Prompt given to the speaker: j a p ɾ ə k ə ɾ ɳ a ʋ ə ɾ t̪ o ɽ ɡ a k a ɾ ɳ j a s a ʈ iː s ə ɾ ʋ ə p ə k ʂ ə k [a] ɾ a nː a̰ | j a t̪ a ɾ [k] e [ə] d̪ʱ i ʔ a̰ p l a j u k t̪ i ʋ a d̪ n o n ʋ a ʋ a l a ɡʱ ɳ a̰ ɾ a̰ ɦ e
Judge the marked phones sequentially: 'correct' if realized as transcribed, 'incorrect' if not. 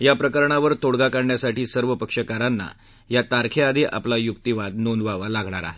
correct, incorrect, incorrect

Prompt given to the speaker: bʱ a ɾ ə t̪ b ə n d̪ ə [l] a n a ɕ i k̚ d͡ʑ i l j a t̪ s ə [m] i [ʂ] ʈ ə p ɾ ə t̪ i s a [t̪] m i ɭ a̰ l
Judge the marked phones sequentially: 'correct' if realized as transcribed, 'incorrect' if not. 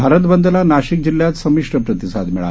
correct, correct, correct, incorrect

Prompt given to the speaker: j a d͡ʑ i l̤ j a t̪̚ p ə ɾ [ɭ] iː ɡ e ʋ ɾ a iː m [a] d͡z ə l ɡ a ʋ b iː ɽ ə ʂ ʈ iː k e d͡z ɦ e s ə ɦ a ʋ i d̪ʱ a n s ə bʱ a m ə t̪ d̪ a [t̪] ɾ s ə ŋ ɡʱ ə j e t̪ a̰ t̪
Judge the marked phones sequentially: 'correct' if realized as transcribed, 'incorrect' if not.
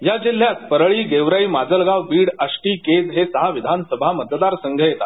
correct, correct, incorrect

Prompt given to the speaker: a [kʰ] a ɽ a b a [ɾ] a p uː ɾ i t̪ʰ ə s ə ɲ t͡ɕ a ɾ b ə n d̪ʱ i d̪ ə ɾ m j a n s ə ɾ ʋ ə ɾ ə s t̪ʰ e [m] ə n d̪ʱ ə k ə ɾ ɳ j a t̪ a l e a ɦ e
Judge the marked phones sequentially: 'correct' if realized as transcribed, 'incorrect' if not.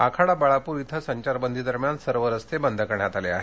correct, incorrect, incorrect

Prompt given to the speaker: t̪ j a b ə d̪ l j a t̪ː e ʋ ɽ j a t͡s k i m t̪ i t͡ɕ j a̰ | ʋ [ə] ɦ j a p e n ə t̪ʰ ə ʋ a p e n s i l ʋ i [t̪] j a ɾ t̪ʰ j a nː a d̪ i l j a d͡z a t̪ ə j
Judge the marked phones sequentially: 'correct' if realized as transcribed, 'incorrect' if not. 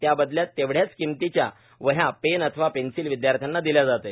correct, incorrect

